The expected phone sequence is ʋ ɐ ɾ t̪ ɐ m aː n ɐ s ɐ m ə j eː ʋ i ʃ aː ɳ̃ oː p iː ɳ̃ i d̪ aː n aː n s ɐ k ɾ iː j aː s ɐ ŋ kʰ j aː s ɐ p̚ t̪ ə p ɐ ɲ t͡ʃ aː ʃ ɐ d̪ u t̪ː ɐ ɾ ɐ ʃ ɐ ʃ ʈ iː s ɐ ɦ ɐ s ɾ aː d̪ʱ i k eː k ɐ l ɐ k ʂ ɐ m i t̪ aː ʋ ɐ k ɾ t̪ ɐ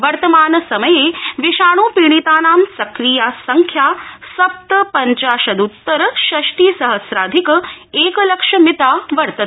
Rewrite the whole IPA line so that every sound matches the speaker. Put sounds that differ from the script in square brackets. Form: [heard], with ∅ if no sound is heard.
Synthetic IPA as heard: ʋ ɐ ɾ t̪ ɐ m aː n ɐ s ɐ m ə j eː ʋ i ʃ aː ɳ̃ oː p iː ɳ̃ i [t̪] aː n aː [m] s ɐ k ɾ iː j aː s ɐ ŋ kʰ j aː s ɐ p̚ t̪ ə p ɐ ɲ t͡ʃ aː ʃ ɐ d̪ u t̪ː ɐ ɾ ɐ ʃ ɐ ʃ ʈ iː s ɐ ɦ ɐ s ɾ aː d̪ʱ i k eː k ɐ l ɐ k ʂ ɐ m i t̪ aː ʋ ɐ [∅] ɾ t̪ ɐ